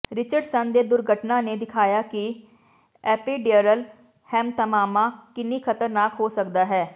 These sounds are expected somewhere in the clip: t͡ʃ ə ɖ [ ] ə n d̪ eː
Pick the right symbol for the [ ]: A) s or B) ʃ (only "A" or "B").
A